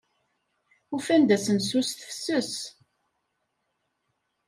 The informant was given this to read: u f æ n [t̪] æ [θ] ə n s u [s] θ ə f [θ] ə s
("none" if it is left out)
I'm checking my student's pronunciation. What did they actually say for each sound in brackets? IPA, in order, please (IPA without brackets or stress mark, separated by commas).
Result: d̪, s, s, s